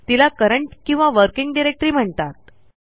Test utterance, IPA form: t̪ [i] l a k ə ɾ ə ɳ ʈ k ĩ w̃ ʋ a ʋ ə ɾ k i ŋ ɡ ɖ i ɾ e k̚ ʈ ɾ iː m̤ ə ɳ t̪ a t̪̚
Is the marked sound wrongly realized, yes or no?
no